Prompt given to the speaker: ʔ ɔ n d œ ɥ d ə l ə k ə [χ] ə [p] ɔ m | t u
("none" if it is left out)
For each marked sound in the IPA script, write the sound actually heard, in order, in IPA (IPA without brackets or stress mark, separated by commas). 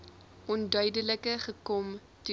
χ, k